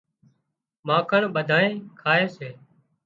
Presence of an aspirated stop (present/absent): present